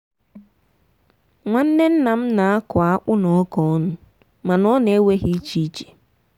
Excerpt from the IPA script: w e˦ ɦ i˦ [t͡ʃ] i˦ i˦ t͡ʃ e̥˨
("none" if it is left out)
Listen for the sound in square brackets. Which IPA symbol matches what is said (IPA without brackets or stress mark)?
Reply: t͡ʃ